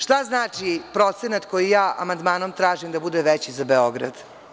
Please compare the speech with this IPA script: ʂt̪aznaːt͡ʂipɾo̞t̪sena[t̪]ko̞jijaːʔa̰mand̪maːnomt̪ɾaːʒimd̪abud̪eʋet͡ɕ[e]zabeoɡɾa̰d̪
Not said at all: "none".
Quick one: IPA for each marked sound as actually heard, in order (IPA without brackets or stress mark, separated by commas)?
t̪, i